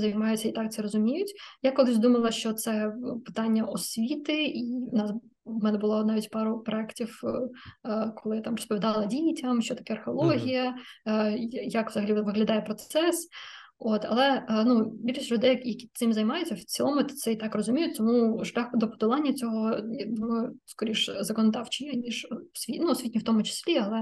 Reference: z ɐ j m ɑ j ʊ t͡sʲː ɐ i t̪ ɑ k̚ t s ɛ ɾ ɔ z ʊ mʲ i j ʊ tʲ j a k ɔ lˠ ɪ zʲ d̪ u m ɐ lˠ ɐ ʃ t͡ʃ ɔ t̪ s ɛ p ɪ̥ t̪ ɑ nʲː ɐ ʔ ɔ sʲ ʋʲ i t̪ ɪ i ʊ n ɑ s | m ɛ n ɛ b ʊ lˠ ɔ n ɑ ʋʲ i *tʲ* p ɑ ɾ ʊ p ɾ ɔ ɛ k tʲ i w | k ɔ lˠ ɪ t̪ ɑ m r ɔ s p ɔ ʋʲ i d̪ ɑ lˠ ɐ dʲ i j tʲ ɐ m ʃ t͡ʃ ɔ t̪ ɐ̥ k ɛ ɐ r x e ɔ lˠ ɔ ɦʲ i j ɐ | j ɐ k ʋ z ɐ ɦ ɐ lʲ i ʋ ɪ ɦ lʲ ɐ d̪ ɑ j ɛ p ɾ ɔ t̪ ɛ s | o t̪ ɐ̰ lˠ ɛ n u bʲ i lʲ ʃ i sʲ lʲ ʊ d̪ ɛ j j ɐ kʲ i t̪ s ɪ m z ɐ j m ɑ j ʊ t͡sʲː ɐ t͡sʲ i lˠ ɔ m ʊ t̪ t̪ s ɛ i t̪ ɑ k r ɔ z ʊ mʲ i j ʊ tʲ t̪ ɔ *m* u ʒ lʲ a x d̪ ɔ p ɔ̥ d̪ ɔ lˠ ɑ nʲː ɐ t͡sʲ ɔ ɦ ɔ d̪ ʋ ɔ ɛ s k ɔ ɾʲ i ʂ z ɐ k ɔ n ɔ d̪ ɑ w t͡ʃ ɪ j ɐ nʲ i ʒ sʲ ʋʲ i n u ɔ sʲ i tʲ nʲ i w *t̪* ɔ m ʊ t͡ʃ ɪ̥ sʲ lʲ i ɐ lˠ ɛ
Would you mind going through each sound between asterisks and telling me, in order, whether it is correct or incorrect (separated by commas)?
correct, correct, correct